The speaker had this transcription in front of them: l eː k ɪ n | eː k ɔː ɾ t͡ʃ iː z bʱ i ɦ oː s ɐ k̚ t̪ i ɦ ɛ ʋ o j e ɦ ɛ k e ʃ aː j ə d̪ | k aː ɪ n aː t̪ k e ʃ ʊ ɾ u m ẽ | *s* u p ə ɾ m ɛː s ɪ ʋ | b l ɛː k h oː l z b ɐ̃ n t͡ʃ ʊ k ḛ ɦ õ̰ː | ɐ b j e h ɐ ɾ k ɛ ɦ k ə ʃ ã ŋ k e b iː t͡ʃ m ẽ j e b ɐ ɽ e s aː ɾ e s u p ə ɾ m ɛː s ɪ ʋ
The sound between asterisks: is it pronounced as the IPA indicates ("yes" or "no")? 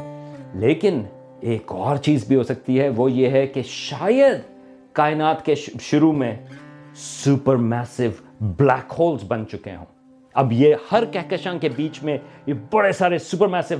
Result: yes